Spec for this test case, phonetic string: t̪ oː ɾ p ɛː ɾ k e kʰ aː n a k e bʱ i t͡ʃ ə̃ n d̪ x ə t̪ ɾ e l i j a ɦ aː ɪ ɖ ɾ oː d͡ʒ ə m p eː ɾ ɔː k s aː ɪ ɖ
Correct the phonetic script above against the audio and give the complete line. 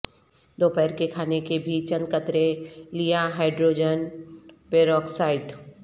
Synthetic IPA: d̪ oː p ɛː ɾ k e kʰ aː n e k e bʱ i t͡ʃ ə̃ n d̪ k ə t̪ ɾ e l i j a ɦ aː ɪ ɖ ɾ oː d͡ʒ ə n p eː ɾ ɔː k s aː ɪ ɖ

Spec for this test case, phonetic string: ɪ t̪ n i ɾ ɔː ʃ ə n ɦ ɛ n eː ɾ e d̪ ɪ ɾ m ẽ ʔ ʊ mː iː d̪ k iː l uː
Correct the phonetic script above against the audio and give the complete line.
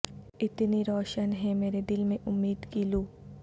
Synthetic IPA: ɪ t̪ n i ɾ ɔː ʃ ə n ɦ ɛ m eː ɾ e d̪ ɪ l m ẽ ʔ ʊ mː iː d̪ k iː l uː

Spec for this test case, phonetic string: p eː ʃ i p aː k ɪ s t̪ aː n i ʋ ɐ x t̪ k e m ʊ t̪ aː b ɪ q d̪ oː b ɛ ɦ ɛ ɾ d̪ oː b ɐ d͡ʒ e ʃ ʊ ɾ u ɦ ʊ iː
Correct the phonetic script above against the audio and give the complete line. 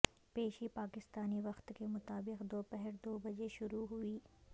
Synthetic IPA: p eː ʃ i p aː k ɪ s t̪ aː n i ʋ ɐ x t̪ k e m ʊ t̪ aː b ɪ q d̪ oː p ɛ ɦ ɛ ɾ d̪ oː b ɐ d͡ʒ e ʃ ʊ ɾ u ɦ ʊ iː

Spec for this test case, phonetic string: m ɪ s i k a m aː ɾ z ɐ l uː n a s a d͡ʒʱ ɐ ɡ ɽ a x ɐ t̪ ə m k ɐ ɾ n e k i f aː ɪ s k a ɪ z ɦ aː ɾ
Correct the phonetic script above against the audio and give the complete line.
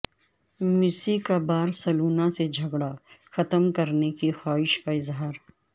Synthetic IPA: m ɪ s i k a b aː ɾ s ɐ l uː n a s e d͡ʒʱ ɐ ɡ ɽ a x ɐ t̪ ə m k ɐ ɾ n e k i x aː ɪ ʃ k a ɪ z ɦ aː ɾ

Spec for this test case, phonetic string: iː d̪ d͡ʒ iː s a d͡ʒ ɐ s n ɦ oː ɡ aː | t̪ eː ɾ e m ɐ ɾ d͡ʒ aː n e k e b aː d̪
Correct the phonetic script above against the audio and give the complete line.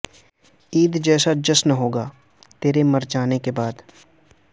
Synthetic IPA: iː d̪ d͡ʒ ɛː s a d͡ʒ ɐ s n ɦ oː ɡ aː | t̪ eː ɾ e m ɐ ɾ d͡ʒ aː n e k e b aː d̪

